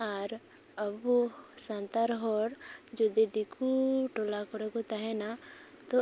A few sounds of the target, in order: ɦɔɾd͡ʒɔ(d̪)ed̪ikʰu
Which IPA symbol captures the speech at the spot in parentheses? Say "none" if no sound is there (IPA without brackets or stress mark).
d̪